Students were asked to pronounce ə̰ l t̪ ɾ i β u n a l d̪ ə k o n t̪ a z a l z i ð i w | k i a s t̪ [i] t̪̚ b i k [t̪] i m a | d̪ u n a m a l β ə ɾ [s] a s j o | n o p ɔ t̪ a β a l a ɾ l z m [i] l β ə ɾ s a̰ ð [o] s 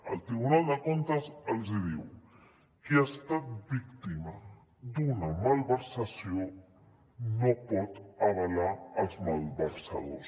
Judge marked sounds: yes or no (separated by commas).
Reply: no, yes, yes, no, yes